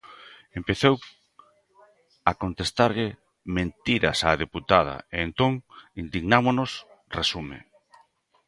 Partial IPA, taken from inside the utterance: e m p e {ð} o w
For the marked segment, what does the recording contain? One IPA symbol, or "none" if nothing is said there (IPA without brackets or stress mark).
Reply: θ